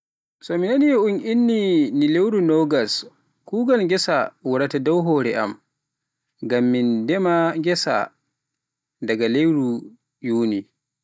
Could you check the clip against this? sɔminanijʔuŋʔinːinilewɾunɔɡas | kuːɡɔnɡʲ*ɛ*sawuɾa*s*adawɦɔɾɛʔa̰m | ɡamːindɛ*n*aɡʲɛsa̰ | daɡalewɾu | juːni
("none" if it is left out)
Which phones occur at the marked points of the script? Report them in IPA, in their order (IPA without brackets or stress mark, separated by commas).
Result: ɛ, t, m